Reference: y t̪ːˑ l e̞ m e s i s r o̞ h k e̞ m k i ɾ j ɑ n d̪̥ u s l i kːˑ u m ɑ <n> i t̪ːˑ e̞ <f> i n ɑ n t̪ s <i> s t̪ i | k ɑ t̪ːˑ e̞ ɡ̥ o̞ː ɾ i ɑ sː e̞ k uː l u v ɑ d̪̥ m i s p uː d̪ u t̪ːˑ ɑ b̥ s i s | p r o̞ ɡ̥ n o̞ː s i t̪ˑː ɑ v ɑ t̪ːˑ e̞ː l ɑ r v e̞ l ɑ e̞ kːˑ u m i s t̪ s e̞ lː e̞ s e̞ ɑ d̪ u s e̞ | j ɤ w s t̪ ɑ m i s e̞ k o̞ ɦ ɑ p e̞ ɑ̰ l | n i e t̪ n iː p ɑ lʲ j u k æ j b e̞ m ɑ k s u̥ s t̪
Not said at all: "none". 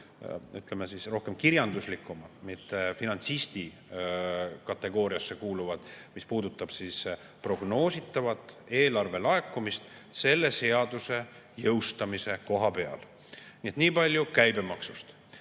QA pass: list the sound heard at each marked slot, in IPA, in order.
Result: m, f, i

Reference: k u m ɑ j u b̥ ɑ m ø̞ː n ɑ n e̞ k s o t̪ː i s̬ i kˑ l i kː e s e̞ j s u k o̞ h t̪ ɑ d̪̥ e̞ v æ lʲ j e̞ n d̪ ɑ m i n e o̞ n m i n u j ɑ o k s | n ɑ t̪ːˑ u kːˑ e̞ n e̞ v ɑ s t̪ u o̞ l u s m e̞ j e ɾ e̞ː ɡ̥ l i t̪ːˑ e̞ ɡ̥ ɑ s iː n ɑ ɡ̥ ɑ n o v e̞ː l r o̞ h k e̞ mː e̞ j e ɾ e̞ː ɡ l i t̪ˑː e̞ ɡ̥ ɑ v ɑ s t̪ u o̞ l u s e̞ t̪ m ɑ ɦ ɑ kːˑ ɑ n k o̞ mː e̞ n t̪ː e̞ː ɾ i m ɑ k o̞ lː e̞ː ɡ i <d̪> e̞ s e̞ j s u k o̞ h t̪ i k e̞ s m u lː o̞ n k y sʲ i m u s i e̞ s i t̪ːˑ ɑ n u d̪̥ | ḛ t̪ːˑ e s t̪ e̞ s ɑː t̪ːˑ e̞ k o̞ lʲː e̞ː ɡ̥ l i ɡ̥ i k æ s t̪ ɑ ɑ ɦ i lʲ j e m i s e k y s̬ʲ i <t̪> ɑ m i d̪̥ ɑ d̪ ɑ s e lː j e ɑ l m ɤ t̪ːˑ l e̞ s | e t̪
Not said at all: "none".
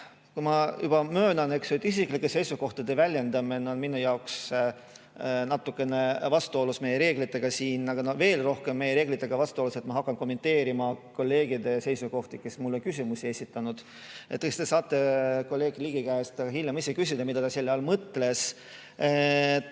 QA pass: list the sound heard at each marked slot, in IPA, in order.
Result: d̪, d̪

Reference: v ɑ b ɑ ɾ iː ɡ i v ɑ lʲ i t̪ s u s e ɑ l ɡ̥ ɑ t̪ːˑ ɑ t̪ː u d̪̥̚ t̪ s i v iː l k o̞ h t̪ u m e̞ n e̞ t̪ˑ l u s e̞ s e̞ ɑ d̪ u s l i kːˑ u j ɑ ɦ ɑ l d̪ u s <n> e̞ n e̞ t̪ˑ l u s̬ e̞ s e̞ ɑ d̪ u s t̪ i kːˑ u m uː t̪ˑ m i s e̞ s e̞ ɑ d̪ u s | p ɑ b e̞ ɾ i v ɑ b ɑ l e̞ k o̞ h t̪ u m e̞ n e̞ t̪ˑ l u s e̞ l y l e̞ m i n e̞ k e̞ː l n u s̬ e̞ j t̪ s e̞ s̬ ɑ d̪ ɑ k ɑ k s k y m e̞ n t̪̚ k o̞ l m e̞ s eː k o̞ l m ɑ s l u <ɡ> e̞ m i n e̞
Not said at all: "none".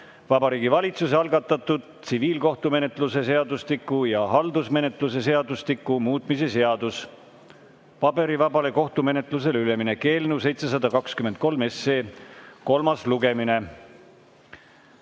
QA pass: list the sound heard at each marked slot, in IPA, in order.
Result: m, ɡ

